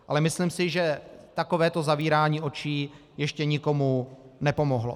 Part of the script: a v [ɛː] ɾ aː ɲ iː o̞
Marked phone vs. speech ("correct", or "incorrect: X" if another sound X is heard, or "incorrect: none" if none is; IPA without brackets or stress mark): incorrect: iː